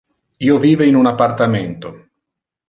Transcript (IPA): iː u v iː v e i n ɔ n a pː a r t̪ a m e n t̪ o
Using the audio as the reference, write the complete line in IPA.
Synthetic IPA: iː o v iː v e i n u n a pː a r t̪ a m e n t̪ o